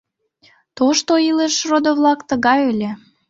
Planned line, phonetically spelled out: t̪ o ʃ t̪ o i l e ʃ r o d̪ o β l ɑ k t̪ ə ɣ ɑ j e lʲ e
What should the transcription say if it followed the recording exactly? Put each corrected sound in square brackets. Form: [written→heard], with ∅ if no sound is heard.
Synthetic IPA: t̪ o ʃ t̪ o i l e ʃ r o d̪ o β l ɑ k t̪ ə ɣ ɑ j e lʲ e